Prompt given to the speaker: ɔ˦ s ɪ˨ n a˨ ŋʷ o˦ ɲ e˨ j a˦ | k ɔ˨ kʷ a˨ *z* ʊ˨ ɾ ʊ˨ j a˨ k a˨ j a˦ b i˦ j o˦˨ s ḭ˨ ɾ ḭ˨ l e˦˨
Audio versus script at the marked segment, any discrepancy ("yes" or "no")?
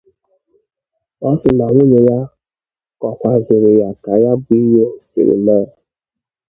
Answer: no